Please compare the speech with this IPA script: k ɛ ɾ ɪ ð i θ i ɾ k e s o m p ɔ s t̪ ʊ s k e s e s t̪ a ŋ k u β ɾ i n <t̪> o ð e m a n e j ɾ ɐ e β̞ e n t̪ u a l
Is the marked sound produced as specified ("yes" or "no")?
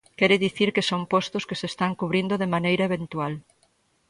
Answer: no